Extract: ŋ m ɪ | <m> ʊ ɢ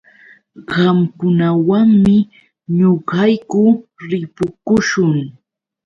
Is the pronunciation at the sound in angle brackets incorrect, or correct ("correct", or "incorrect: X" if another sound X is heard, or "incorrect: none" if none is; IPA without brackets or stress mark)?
incorrect: ɲ